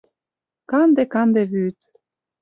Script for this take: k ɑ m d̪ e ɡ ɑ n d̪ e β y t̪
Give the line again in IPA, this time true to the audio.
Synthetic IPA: k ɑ n d̪ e k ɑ n d̪ e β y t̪